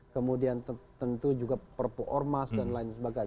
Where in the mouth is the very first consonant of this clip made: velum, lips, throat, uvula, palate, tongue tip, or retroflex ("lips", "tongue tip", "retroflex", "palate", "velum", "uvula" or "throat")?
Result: velum